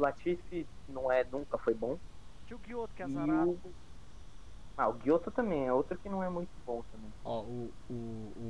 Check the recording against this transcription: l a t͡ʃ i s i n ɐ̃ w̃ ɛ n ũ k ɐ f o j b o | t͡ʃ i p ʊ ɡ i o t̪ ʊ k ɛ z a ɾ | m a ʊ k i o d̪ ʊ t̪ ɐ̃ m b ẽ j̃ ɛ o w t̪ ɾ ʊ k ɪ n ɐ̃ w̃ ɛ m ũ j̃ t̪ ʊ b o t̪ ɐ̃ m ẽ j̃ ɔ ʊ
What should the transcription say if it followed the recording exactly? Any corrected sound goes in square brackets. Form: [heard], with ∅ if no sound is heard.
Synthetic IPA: l a t͡ʃ i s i n ɐ̃ w̃ ɛ n ũ k ɐ f o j b [õ] | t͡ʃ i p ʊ ɡ i o t̪ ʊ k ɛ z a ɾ | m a ʊ [ɡ] i o [t̪] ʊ t̪ ɐ̃ m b ẽ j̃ ɛ o w t̪ ɾ ʊ k ɪ n ɐ̃ w̃ ɛ m ũ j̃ t̪ ʊ b [õ] t̪ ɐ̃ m ẽ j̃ ɔ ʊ